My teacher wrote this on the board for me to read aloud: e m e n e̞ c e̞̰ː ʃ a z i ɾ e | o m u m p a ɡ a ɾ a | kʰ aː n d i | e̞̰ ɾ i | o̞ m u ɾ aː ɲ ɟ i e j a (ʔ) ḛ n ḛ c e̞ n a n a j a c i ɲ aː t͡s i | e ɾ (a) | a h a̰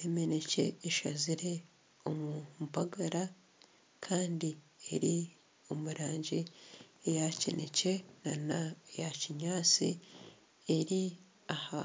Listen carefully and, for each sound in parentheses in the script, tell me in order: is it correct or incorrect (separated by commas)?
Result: incorrect, incorrect